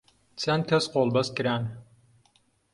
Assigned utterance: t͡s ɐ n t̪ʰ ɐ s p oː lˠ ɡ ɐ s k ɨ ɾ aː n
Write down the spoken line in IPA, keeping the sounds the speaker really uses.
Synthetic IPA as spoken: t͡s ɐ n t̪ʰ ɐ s q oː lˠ b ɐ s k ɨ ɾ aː n